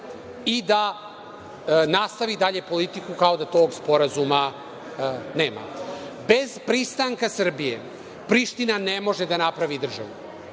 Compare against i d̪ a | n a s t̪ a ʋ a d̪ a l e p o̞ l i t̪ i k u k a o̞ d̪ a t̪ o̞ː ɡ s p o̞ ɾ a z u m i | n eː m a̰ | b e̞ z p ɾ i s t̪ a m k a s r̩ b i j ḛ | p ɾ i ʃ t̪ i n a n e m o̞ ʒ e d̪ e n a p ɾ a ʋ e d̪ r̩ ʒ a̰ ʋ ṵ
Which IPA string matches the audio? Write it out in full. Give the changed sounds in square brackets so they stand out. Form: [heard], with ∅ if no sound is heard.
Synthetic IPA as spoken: i d̪ a | n a s t̪ a ʋ [i] d̪ a [ʎ] e p o̞ l i t̪ i k u k a o̞ d̪ a t̪ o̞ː ɡ s p o̞ ɾ a z u m [a] | n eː m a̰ | b e̞ z p ɾ i s t̪ a [ŋ] k a s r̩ b i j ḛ | p ɾ i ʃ t̪ i n a n e m o̞ ʒ e d̪ [a] n a p ɾ a ʋ [i] d̪ r̩ ʒ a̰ ʋ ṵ